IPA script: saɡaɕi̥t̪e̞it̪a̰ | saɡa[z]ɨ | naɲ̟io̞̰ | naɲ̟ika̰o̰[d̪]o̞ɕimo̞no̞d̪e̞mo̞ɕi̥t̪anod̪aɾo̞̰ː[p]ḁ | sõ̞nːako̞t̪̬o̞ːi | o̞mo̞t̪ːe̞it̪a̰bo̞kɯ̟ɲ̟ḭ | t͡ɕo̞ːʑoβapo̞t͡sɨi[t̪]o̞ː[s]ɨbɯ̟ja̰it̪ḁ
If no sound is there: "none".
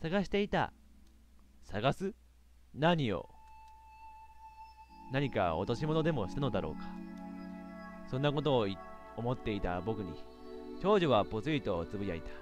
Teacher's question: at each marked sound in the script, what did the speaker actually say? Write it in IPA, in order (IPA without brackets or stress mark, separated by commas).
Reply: s, t̪, k, t̪, t͡s